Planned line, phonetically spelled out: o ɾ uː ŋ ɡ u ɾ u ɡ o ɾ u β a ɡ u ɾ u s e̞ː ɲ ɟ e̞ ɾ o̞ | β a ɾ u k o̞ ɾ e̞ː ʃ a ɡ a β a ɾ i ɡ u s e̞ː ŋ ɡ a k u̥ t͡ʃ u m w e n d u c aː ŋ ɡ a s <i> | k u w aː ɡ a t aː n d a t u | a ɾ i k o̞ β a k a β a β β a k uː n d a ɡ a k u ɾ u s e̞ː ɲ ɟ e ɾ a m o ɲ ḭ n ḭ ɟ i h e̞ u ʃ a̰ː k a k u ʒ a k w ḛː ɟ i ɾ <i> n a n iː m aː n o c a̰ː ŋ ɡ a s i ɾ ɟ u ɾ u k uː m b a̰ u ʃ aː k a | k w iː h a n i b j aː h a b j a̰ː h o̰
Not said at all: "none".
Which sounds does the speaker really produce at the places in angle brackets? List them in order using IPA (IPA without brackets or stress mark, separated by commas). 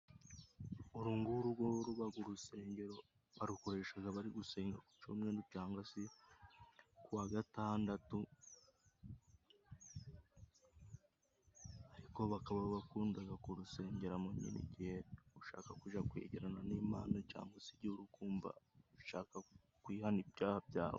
i, a